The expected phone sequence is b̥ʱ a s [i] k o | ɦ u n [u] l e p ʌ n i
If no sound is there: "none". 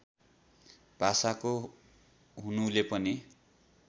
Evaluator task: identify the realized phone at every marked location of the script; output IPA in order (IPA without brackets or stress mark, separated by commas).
a, u